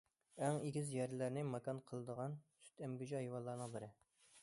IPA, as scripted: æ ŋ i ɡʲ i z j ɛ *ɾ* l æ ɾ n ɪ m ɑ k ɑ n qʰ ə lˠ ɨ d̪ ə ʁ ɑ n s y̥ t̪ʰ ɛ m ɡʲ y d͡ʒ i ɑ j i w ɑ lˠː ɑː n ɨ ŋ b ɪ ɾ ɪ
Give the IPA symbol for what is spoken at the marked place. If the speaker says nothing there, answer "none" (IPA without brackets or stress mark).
ɾ